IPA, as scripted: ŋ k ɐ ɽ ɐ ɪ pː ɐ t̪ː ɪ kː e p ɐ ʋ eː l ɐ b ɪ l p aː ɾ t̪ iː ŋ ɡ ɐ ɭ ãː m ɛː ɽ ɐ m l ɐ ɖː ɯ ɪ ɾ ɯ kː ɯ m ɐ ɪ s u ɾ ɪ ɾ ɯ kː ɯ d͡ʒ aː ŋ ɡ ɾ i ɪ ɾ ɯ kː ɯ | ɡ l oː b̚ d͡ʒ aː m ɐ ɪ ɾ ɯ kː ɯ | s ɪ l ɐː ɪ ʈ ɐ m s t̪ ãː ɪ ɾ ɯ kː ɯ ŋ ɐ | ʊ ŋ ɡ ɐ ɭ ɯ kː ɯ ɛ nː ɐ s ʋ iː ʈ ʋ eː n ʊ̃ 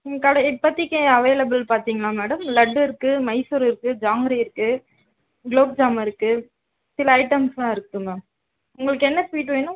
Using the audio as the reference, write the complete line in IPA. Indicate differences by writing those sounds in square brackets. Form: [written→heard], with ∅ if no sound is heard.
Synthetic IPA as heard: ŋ k ɐ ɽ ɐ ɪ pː ɐ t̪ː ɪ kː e [p→∅] ɐ ʋ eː l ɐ b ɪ l p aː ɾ t̪ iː ŋ ɡ ɐ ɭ [ãː→aː] m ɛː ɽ ɐ m l ɐ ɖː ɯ ɪ ɾ ɯ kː ɯ m ɐ ɪ s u ɾ ɪ ɾ ɯ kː ɯ d͡ʒ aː ŋ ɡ ɾ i ɪ ɾ ɯ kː ɯ | ɡ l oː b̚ d͡ʒ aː m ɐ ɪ ɾ ɯ kː ɯ | s ɪ l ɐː ɪ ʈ ɐ m s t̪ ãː ɪ ɾ ɯ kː ɯ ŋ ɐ | ʊ ŋ ɡ ɐ ɭ ɯ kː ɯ ɛ nː ɐ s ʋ iː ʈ ʋ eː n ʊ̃